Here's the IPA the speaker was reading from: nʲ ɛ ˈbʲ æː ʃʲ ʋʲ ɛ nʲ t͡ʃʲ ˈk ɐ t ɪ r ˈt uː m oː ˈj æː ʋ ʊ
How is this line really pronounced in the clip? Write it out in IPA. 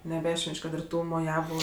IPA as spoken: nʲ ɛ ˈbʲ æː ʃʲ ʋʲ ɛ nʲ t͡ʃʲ ˈk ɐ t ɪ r ˈt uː m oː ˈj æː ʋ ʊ